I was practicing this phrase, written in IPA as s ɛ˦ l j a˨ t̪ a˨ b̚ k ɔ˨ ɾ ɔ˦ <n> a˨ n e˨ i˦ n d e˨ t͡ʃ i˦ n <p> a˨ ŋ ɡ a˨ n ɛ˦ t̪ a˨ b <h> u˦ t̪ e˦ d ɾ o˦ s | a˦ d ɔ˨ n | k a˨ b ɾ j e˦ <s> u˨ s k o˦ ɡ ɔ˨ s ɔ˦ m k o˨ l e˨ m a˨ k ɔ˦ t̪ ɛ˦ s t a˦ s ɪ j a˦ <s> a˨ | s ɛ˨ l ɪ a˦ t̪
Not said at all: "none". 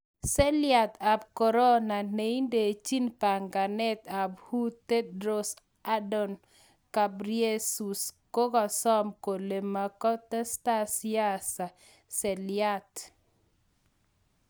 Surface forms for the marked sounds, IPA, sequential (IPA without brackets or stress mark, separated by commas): n, p, h, s, s